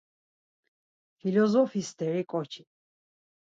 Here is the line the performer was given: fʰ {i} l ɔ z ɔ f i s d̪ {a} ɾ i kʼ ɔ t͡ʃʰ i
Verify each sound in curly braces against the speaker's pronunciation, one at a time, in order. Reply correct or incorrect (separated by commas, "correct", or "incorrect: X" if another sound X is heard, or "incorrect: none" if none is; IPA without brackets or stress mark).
correct, incorrect: ɛ